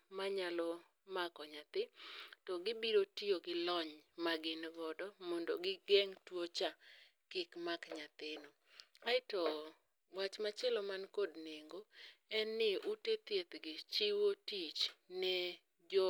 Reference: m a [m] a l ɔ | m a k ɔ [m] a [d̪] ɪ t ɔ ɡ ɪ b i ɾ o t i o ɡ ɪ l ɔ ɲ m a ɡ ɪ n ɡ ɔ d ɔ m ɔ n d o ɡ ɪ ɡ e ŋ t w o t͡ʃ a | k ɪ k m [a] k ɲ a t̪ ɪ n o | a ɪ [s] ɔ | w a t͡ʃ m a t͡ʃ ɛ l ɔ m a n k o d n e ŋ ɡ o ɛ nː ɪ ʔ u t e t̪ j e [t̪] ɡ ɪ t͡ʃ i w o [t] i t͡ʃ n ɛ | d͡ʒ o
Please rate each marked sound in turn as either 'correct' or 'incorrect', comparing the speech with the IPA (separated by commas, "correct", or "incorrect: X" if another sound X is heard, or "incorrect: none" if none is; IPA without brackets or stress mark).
incorrect: ɲ, incorrect: ɲ, incorrect: t̪, correct, incorrect: t, correct, correct